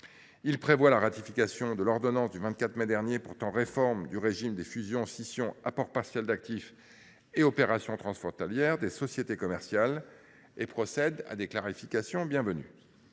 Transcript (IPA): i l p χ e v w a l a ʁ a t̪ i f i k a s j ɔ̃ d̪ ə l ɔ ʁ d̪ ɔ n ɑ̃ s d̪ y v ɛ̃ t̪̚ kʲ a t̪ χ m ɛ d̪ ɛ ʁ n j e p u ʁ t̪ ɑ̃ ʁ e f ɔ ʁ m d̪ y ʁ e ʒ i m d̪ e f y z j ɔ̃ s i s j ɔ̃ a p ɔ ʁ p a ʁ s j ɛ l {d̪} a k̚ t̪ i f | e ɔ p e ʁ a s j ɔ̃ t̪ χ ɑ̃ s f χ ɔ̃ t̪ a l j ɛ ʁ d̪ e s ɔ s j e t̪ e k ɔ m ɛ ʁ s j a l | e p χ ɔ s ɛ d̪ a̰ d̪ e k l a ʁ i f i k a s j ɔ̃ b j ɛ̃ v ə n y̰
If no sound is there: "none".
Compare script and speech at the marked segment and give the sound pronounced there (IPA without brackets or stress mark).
d̪